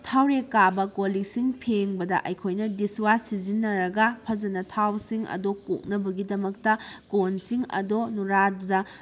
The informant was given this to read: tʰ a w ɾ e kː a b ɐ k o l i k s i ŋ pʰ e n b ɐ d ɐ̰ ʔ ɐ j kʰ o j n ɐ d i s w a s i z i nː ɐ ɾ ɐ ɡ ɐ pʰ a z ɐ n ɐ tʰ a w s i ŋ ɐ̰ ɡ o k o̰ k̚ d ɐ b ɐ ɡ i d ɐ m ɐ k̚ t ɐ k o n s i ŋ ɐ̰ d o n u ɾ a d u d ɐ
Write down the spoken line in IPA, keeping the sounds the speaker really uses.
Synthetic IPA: tʰ a w ɾ e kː a b ɐ k o l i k s i ŋ pʰ e ŋ b ɐ d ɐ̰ ʔ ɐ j kʰ o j n ɐ d i s w a s i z i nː ɐ ɾ ɐ ɡ ɐ pʰ ɐ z ɐ n ɐ tʰ a w s i ŋ ɐ̰ d o k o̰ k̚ n ɐ b ɐ ɡ i d ɐ m ɐ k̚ t ɐ k o n s i ŋ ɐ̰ d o n u ɾ a d u d ɐ